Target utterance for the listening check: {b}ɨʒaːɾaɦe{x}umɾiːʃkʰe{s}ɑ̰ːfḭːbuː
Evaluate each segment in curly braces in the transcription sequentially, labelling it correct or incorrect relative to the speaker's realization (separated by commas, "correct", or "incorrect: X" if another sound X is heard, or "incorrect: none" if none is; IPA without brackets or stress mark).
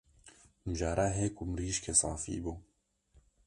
incorrect: m, incorrect: k, correct